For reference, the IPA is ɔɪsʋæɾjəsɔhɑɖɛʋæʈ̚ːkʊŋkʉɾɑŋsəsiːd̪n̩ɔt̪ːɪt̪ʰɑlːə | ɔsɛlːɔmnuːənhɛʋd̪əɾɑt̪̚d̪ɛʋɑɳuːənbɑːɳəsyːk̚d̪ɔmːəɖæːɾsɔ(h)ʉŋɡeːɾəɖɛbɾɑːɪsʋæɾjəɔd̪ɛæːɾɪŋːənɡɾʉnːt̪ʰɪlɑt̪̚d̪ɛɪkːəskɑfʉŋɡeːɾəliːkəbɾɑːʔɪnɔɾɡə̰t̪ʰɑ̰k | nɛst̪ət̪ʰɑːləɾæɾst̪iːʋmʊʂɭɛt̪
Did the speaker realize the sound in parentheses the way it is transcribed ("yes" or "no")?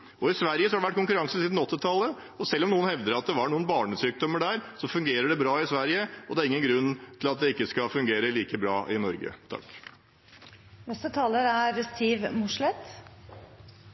no